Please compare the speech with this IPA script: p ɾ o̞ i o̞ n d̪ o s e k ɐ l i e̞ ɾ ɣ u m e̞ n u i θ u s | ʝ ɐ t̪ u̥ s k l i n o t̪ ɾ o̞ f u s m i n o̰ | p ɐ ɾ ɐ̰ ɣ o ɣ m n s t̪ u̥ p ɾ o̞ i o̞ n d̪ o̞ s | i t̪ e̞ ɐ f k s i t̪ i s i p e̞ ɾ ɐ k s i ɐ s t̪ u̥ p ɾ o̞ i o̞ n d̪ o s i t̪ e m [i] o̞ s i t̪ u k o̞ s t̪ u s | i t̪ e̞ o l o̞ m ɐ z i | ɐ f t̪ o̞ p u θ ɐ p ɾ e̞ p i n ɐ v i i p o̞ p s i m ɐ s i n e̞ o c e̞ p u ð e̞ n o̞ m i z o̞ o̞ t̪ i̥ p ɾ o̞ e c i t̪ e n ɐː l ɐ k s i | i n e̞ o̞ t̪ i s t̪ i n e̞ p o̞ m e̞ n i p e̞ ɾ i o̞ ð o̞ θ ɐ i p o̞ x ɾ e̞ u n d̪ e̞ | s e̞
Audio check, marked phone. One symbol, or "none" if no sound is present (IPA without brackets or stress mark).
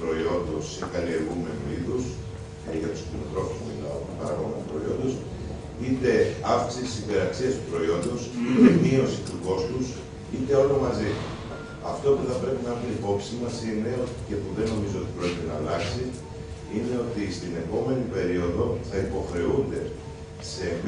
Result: i